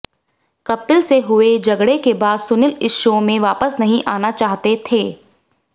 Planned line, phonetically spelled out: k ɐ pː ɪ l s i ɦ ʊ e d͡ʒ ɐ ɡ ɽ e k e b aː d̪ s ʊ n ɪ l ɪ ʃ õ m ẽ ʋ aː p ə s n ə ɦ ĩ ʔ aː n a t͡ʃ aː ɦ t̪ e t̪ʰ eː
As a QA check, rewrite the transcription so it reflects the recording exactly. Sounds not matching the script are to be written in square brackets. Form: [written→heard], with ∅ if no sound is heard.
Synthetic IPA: k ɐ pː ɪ l s [i→e] ɦ ʊ e d͡ʒ ɐ ɡ ɽ e k e b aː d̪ s ʊ n ɪ l ɪ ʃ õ m ẽ ʋ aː p ə s n [ə→ɐ] ɦ ĩ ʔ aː n a t͡ʃ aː ɦ t̪ e t̪ʰ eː

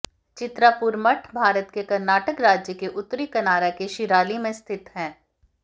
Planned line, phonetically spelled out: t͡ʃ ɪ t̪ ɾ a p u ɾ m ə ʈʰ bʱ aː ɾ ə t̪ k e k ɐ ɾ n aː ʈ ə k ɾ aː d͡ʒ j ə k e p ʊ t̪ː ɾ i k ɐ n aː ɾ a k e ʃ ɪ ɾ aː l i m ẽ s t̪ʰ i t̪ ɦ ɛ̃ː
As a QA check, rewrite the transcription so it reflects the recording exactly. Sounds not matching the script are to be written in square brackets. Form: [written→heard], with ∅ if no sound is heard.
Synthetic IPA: t͡ʃ ɪ t̪ ɾ a p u ɾ m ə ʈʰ bʱ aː ɾ ə t̪ k e k ɐ ɾ n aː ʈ ə k ɾ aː d͡ʒ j ə k e [p→ʔ] ʊ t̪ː ɾ i k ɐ n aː ɾ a k e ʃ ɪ ɾ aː l i m ẽ s t̪ʰ [i→ɪ] t̪ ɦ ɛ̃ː

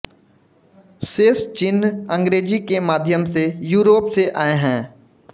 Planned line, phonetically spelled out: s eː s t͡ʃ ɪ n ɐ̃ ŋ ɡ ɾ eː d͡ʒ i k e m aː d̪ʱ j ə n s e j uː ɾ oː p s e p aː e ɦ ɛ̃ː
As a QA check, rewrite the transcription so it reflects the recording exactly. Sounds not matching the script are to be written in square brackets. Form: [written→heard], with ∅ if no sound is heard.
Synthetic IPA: s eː s t͡ʃ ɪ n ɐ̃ ŋ ɡ ɾ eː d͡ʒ i k e m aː d̪ʱ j ə [n→m] s e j uː ɾ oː p s e [p→ʔ] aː e ɦ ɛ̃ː

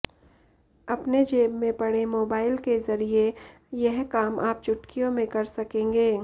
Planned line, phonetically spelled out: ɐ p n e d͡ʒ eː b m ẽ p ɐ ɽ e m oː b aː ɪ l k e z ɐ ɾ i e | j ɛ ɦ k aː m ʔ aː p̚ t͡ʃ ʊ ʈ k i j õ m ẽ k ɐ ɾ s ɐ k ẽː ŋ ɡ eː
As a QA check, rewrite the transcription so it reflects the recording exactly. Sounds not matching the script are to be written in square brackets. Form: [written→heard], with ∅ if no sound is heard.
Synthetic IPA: ɐ p n e d͡ʒ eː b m ẽ p ɐ ɽ e m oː b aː ɪ l k e z ɐ ɾ i e | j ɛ ɦ k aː m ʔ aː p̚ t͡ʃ ʊ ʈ k i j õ m ẽ k ɐ ɾ s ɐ k ẽː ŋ ɡ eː

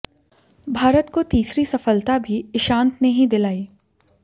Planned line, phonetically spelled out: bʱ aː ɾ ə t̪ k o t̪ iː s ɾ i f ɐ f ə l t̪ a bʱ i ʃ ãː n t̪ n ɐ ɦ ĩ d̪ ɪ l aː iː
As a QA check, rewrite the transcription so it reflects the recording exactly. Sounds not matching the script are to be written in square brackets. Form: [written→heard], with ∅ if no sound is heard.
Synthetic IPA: bʱ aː ɾ ə t̪ k o t̪ iː s ɾ i [f→s] ɐ f ə l t̪ a bʱ i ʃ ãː n t̪ n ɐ ɦ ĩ d̪ ɪ l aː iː

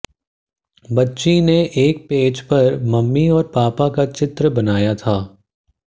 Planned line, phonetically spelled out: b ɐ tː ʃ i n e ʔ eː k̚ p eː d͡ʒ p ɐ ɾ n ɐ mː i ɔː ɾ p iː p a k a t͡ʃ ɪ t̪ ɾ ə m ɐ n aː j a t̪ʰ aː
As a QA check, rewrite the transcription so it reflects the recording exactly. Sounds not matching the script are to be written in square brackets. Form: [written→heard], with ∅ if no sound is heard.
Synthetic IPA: b ɐ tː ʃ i n e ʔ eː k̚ p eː d͡ʒ p ɐ ɾ [n→m] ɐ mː i ɔː ɾ p [iː→aː] p a k a t͡ʃ ɪ t̪ ɾ ə [m→b] ɐ n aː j a t̪ʰ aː

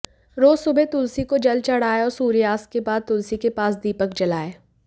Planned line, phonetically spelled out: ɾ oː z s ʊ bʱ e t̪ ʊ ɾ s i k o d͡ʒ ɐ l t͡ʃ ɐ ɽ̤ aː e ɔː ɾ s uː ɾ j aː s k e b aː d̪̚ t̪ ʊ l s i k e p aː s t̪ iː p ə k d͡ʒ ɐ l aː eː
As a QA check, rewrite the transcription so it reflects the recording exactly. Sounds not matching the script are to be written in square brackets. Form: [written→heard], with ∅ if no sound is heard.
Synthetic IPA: ɾ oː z s ʊ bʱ e t̪ ʊ [ɾ→l] s i k o d͡ʒ ɐ l t͡ʃ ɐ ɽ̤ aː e ɔː ɾ s uː ɾ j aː s k e b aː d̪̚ t̪ ʊ l s i k e p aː s [t̪→d̪] iː p ə k d͡ʒ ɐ l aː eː

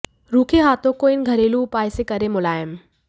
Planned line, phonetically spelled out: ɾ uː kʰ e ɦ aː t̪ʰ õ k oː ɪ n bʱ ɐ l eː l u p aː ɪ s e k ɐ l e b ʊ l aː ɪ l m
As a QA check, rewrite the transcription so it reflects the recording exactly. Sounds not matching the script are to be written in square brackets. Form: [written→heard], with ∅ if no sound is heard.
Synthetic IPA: ɾ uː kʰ e ɦ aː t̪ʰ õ k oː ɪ n [bʱ→ɡʱ] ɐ [l→ɾ] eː l u p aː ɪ s e k ɐ [l→ɾ] e [b→m] ʊ l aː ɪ [l→∅] m

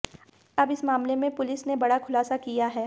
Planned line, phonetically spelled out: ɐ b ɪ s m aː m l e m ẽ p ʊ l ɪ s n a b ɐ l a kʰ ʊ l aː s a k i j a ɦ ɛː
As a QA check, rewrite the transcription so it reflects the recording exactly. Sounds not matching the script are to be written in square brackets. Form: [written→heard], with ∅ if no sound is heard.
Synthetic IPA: ɐ b ɪ s m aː m l e m ẽ p ʊ l ɪ s n [a→e] b ɐ [l→ɽ] a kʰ ʊ l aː s a k i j a ɦ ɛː

